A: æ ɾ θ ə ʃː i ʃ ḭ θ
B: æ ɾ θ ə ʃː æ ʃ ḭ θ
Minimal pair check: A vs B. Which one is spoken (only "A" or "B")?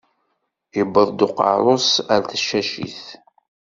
B